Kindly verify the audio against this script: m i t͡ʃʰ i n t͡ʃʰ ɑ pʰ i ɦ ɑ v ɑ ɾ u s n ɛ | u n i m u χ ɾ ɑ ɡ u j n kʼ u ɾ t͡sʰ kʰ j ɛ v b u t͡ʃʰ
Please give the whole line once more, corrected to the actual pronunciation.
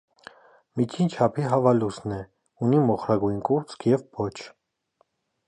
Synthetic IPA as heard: m i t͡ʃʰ i n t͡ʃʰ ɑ pʰ i ɦ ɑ v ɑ l u s n ɛ | u n i m ɔ χ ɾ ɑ ɡ u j n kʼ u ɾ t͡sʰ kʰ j ɛ v b ɔ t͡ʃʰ